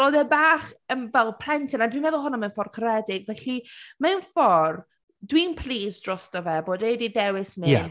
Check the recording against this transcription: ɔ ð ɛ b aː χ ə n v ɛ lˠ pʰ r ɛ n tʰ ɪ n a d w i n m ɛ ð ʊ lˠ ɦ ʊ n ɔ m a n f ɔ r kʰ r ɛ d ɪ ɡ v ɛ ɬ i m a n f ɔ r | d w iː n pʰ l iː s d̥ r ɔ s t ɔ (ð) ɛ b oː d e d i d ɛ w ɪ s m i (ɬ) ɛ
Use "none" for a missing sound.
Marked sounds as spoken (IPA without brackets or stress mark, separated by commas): v, none